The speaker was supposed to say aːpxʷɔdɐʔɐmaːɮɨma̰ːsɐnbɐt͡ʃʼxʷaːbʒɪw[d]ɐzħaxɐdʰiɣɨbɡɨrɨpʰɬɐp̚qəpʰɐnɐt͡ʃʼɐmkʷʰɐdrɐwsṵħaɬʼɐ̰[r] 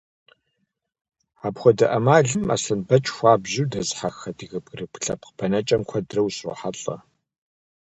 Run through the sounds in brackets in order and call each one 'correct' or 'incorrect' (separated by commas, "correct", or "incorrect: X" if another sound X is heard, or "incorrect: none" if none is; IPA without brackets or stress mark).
correct, incorrect: none